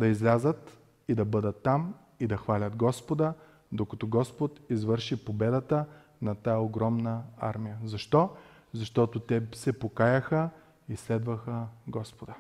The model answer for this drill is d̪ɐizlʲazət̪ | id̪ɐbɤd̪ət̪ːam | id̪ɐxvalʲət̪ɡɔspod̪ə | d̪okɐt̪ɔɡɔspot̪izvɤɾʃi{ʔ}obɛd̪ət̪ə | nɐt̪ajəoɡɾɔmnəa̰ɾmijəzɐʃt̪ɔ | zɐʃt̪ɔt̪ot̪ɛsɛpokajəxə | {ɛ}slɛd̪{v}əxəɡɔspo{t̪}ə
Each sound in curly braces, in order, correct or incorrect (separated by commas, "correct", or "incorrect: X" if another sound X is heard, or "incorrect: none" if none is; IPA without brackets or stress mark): incorrect: p, incorrect: i, correct, incorrect: d̪